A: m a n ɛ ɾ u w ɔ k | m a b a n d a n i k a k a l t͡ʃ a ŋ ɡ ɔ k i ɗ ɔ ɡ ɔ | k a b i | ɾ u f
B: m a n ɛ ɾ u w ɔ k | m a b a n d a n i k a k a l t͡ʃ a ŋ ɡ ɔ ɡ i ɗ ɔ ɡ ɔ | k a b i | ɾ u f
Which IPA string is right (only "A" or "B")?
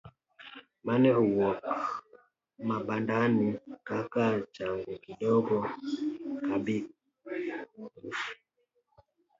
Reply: A